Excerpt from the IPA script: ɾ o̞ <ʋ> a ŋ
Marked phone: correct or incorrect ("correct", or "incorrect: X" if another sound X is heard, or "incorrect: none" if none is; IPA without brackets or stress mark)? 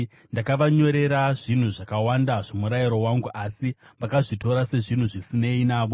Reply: incorrect: w